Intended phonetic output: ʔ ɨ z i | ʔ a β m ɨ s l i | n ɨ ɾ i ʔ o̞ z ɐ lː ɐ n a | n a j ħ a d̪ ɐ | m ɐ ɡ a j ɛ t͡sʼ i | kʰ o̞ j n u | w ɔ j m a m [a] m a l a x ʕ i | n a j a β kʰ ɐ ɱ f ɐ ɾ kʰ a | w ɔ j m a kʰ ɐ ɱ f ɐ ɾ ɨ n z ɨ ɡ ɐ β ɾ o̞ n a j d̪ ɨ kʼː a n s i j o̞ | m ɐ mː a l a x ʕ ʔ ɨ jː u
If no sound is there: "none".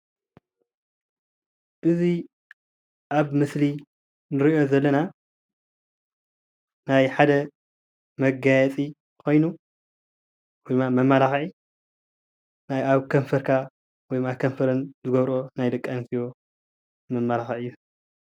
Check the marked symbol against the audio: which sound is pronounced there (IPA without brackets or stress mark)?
ɐ